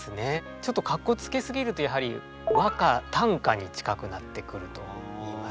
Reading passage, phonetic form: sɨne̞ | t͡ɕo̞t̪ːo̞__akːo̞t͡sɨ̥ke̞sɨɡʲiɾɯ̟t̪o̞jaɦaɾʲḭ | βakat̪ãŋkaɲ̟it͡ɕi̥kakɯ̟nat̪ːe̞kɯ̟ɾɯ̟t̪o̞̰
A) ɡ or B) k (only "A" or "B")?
B